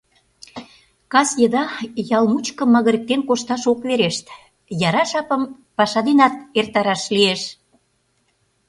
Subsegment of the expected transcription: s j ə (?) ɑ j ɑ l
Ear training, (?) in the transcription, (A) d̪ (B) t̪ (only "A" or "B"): A